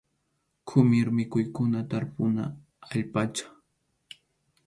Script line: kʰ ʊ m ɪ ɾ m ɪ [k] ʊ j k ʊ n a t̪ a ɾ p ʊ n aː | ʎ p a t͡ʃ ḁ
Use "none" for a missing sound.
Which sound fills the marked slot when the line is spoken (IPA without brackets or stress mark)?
k